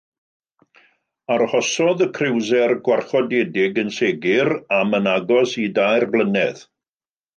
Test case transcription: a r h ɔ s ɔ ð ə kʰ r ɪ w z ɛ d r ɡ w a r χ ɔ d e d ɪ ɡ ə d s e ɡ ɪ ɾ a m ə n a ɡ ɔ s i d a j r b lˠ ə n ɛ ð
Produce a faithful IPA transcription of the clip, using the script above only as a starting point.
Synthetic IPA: a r h ɔ s ɔ ð ə kʰ r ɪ w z ɛ r ɡ w a r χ ɔ d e d ɪ ɡ ə n s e ɡ ɪ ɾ a m ə n a ɡ ɔ s i d a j r b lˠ ə n ɛ ð